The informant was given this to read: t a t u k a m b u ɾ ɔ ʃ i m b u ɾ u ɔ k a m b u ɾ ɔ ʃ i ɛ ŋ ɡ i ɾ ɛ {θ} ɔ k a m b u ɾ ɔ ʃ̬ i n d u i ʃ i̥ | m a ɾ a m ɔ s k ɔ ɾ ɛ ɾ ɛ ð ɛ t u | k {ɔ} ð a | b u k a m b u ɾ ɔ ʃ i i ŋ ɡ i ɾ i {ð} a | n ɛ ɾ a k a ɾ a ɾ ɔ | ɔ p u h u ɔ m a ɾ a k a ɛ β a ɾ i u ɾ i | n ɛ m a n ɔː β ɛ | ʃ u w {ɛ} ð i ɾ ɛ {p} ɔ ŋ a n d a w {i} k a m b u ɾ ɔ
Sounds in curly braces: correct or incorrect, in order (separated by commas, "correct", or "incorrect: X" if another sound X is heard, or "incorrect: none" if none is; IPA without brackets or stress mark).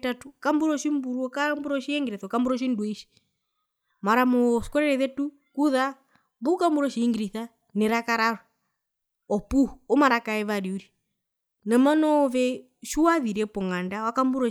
correct, incorrect: u, incorrect: θ, incorrect: a, correct, incorrect: a